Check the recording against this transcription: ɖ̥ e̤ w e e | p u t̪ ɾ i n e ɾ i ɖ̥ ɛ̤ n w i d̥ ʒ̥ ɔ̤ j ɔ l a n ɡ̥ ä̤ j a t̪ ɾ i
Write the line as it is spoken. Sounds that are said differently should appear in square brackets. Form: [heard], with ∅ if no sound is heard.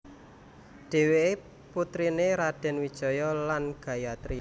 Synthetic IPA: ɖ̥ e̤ w e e | p u t̪ ɾ i n e ɾ [a] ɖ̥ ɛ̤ n w i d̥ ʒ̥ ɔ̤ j ɔ l a n ɡ̥ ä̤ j a t̪ ɾ i

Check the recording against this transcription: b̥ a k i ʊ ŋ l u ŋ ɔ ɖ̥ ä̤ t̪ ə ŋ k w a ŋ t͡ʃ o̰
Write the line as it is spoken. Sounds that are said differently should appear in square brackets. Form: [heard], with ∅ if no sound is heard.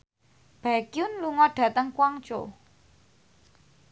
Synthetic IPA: b̥ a k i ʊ [n] l u ŋ ɔ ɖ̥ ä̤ t̪ ə ŋ k w a ŋ t͡ʃ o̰

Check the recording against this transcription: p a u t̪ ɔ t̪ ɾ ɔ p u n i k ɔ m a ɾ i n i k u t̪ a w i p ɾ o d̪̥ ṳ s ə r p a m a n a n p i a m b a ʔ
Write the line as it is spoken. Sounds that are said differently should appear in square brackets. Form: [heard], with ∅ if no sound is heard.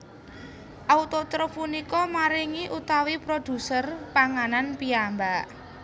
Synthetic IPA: [ʔ] a u t̪ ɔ t̪ ɾ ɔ p u n i k ɔ m a ɾ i [ŋ] i [ʔ] u t̪ a w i p ɾ o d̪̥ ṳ s ə r p a [ŋ] a n a n p i a m b a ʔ

